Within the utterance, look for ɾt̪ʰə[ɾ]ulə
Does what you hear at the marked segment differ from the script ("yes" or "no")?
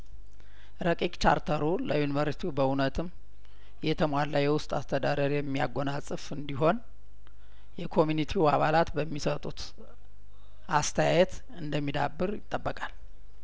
no